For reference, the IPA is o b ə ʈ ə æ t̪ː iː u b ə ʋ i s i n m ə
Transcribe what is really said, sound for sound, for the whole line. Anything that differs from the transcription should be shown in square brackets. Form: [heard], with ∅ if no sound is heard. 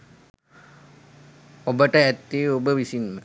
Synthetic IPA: o b ə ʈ ə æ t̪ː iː [o] b ə ʋ i s i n m ə